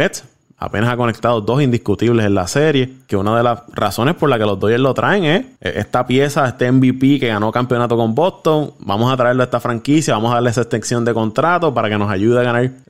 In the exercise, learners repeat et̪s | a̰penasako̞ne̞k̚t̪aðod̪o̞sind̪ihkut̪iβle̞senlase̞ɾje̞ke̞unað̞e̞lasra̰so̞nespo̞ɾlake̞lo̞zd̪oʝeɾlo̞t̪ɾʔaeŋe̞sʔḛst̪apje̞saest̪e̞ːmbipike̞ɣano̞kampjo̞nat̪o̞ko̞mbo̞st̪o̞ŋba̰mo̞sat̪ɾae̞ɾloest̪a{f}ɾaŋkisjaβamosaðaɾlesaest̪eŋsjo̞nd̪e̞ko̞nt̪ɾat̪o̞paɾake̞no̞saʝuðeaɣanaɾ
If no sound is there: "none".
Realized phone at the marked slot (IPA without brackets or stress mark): f